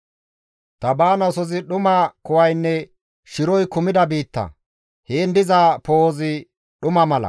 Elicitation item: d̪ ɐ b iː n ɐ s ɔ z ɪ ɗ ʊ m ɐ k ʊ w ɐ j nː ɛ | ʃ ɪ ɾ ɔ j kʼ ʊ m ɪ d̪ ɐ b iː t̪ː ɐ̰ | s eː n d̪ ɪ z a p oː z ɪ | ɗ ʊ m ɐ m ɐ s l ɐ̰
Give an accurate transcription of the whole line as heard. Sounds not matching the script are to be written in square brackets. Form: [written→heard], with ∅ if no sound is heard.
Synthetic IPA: [d̪→t̪] ɐ b [iː→aː] n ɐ s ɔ z ɪ ɗ ʊ m ɐ k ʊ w ɐ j nː ɛ | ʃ ɪ ɾ ɔ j [kʼ→k] ʊ m ɪ d̪ ɐ b iː t̪ː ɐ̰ | [s→h] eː n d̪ ɪ z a p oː z ɪ | ɗ ʊ m ɐ m ɐ [s→∅] l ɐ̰